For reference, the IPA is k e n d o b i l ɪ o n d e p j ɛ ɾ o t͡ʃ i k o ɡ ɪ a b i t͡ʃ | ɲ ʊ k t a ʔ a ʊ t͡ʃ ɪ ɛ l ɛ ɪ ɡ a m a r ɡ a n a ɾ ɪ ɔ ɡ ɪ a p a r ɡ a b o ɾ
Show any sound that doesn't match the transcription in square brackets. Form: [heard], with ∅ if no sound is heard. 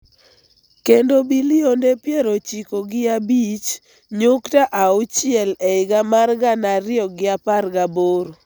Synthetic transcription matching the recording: k e n d o b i l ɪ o n d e p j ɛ ɾ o t͡ʃ i k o ɡ ɪ a b i t͡ʃ | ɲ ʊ k t a ʔ a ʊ t͡ʃ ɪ ɛ l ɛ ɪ ɡ a m a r ɡ a n a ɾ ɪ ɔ ɡ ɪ a p a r ɡ a b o ɾ